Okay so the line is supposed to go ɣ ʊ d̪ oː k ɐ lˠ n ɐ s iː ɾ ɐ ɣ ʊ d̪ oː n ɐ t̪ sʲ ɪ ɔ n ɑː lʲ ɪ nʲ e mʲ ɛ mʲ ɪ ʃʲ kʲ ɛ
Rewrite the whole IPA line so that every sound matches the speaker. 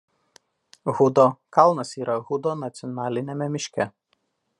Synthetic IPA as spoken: ɣ ʊ d̪ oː k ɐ lˠ n ɐ s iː ɾ ɐ ɣ ʊ d̪ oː n ɐ t̪ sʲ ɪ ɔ n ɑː lʲ ɪ nʲ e mʲ ɛ mʲ ɪ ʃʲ kʲ ɛ

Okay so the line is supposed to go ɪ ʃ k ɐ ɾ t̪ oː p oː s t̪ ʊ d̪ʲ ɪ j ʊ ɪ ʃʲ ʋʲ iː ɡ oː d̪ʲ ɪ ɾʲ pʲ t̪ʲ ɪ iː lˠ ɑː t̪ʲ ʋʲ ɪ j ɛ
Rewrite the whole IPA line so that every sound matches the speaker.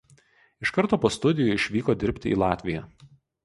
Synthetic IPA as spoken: ɪ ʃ k ɐ ɾ t̪ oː p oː s t̪ ʊ d̪ʲ ɪ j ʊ ɪ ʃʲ ʋʲ iː k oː d̪ʲ ɪ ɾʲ pʲ t̪ʲ ɪ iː lˠ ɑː t̪ʲ ʋʲ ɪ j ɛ

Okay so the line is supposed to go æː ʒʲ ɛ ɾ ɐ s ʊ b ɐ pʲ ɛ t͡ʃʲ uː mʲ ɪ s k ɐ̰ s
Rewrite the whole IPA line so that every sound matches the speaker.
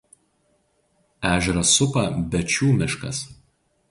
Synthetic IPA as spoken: æː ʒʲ ɛ ɾ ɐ s ʊ p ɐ bʲ ɛ t͡ʃʲ uː mʲ ɪ ʃ k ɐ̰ s

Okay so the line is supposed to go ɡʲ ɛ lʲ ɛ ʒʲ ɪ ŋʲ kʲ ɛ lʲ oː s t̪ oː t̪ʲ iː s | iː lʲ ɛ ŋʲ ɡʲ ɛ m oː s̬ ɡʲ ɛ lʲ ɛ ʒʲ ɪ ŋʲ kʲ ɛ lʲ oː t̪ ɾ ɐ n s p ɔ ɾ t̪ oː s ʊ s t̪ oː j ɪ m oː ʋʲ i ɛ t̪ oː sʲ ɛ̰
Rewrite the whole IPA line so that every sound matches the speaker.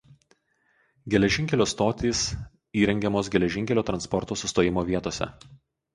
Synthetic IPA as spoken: ɡʲ ɛ lʲ ɛ ʒʲ ɪ ŋʲ kʲ ɛ lʲ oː s t̪ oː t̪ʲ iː s | iː ɾʲ ɛ ŋʲ ɡʲ ɛ m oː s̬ ɡʲ ɛ lʲ ɛ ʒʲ ɪ ŋʲ kʲ ɛ lʲ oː t̪ ɾ ɐ n s p ɔ ɾ t̪ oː s ʊ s t̪ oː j ɪ m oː ʋʲ i ɛ t̪ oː sʲ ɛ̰

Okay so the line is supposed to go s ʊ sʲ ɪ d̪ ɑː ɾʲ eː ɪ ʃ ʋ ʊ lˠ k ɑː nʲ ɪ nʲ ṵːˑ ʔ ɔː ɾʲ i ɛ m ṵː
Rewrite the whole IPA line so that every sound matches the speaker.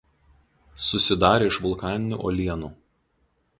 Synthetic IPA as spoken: s ʊ sʲ ɪ d̪ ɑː ɾʲ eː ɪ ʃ ʋ ʊ lˠ k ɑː nʲ ɪ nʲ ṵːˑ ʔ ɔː lʲ i ɛ n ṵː

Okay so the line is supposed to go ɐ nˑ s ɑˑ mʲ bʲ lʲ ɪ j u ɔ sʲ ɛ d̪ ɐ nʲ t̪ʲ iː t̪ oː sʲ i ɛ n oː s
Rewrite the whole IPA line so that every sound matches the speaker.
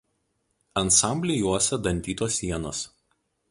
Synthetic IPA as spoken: ɐ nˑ s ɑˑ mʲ bʲ lʲ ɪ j u ɔ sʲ ɛ d̪ ɐ nʲ t̪ʲ iː t̪ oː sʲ i ɛ n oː s

